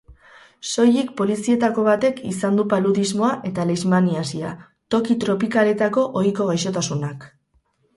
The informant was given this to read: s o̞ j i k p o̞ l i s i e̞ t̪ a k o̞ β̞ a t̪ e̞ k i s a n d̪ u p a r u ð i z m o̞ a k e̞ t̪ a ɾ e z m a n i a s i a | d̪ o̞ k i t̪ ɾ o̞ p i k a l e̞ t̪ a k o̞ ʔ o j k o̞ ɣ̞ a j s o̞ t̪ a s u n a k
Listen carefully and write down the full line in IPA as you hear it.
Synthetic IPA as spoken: s o̞ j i k p o̞ l i s i e̞ t̪ a k o̞ β̞ a t̪ e̞ k i s a n d̪ u p a l u ð i z m o̞ a ʔ e̞ t̪ a l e z m a n i a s i a | t̪ o̞ k i t̪ ɾ o̞ p i k a l e̞ t̪ a k o̞ ʔ o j k o̞ ɣ̞ a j ʃ o̞ t̪ a s u n a k